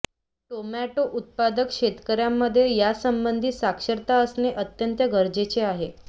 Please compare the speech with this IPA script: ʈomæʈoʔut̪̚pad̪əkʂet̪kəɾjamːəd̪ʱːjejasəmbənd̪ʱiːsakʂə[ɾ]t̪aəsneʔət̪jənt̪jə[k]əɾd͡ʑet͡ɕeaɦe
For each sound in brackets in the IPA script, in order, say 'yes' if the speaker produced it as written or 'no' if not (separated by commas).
yes, no